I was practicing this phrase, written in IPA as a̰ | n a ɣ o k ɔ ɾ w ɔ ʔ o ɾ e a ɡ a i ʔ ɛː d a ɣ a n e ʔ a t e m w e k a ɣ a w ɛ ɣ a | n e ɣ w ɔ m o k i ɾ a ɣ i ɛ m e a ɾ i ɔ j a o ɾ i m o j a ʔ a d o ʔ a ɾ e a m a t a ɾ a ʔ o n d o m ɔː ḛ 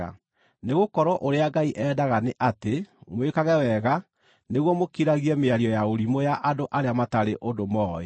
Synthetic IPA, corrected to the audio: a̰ | n e ɣ o k ɔ ɾ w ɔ ʔ o ɾ e a ɡ a i ʔ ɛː d a ɣ a n e ʔ a t e m w e k a ɣ ɛ w ɛ ɣ a | n e ɣ w ɔ m o k i ɾ a ɣ i ɛ m e a ɾ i ɔ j a o ɾ i m o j a ʔ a d o ʔ a ɾ e a m a t a ɾ e ʔ o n d o m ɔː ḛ

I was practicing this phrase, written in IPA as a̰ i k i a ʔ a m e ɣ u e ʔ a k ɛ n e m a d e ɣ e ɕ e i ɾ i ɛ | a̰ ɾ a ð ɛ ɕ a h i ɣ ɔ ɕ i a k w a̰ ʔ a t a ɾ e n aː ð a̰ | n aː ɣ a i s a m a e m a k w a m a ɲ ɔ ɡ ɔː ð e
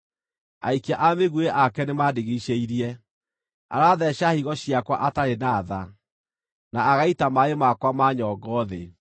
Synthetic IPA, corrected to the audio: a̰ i k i a ʔ a m e ɣ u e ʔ a k ɛ n e m a d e ɣ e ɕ e i ɾ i ɛ | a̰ ɾ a ð ɛ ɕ a h i ɣ ɔ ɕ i a k w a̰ ʔ a t a ɾ e n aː ð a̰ | n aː ɣ a i t a m a e m a k w a m a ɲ ɔ ɡ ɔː ð e

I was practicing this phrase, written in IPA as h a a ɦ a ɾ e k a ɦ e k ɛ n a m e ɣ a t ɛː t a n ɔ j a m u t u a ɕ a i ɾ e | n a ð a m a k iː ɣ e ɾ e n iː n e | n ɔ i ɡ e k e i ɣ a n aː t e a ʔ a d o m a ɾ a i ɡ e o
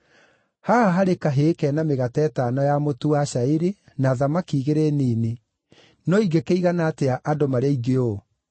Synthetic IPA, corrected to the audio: h a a ɦ a ɾ e k a ɦ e k ɛ n a m e ɣ a t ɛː t a n ɔ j a m o t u a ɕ a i ɾ e | n a ð a m a k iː ɣ e ɾ e n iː n e | n ɔ i ɡ e k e i ɣ a n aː t e a ʔ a d o m a ɾ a i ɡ e o

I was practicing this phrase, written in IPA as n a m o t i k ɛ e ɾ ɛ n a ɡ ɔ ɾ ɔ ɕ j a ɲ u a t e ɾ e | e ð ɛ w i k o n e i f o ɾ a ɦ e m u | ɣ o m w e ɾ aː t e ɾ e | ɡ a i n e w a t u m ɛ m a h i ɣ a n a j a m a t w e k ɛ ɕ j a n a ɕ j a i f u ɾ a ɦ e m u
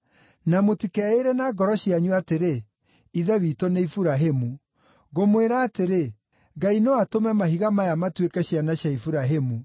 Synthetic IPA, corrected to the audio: n a m o t i k ɛ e ɾ ɛ n a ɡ ɔ ɾ ɔ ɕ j a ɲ u a t e ɾ e | i ð ɛ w i t o n e i f u ɾ a ɦ e m u | ɣ o m w e ɾ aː t e ɾ e | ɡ a i n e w a t o m ɛ m a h i ɣ a m a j a m a t w e k ɛ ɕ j a n a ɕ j a i f u ɾ a ɦ e m u

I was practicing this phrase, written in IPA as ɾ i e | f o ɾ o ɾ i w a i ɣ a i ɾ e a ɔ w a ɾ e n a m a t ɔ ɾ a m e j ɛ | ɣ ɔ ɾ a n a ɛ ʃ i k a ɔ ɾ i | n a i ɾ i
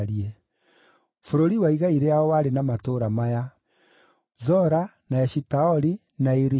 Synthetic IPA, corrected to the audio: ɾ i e | f o ɾ o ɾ i w a i ɣ a i ɾ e a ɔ w a ɾ e n a m a t o ɾ a m a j a | z ɔ ɾ a n a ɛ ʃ i t a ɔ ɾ i | n a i ɾ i

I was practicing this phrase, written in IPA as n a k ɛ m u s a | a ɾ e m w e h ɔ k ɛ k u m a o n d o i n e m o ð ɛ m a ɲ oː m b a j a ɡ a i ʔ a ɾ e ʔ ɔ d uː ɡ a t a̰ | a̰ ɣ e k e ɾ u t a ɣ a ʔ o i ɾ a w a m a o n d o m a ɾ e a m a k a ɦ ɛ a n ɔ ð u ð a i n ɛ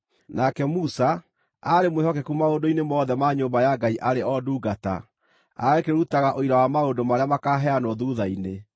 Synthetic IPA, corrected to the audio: n a k ɛ m u s a | a ɾ e m w e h ɔ k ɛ k u m a o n d o i n e m ɔ ð ɛ m a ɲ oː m b a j a ɡ a i ʔ a ɾ e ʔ ɔ d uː ɡ a t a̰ | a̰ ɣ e k e ɾ u t a ɣ a ʔ o i ɾ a w a m a o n d o m a ɾ e a m a k a ɦ ɛ a n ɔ ð u ð a i n e

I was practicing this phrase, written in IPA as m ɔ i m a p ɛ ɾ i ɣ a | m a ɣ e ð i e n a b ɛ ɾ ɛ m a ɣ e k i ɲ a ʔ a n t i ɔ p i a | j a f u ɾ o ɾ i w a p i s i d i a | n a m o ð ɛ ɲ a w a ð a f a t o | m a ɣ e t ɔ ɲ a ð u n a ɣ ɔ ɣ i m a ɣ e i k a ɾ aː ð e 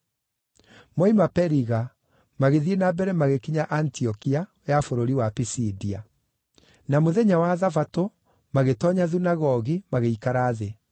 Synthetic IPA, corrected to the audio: m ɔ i m a p ɛ ɾ i ɣ a | m a ɣ e ð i e n a b ɛ ɾ ɛ m a ɣ e k i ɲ a ʔ a n t i ɔ k i a | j a f o ɾ o ɾ i w a p i s i d i a | n a m o ð ɛ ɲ a w a ð a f a t o | m a ɣ e t ɔ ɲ a ð u n a ɣ ɔ ɣ i m a ɣ e i k a ɾ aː ð e

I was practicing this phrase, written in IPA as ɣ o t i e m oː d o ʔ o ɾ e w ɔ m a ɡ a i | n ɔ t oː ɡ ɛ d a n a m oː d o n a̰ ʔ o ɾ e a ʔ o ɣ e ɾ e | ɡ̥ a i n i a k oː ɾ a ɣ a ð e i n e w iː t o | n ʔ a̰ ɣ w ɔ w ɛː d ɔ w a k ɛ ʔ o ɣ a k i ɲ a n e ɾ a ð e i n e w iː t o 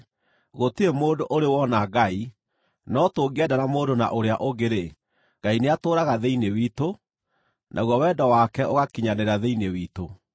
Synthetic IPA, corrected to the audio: ɣ o t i e m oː d o ʔ o ɾ e w ɔ n a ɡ a i | n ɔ t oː ɡ ɛ d a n a m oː d o n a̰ ʔ o ɾ e a ʔ o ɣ e ɾ e | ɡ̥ a i n e a t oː ɾ a ɣ a ð e i n e w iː t o | n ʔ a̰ ɣ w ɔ w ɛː d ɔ w a k ɛ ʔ o ɣ a k i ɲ a n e ɾ a ð e i n e w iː t o

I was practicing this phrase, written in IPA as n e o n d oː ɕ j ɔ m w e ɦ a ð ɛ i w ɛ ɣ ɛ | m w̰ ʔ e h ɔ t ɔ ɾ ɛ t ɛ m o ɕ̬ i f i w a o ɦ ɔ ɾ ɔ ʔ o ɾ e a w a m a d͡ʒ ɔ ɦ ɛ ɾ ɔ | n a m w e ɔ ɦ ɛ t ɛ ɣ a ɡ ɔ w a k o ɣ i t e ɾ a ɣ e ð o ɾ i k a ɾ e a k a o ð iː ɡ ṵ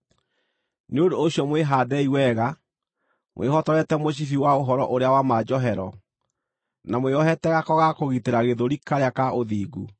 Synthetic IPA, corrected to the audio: n e o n d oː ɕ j ɔ m w e ɦ a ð ɛ i w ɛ ɣ a | m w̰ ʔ e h ɔ t ɔ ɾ ɛ t ɛ m o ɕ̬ i f i w a o ɦ ɔ ɾ ɔ ʔ o ɾ e a w a m a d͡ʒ ɔ ɦ ɛ ɾ ɔ | n a m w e ɔ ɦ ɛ t ɛ ɣ a k ɔ ɣ a k o ɣ i t e ɾ a ɣ e ð o ɾ i k a ɾ e a k a o ð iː ɡ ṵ

